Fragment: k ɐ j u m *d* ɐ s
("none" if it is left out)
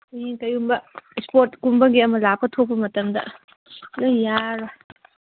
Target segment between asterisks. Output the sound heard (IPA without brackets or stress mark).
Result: b